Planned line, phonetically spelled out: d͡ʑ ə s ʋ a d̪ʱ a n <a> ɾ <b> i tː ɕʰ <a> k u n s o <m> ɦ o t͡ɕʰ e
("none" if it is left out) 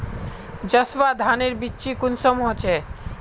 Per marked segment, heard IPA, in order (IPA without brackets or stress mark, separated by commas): e, b, i, m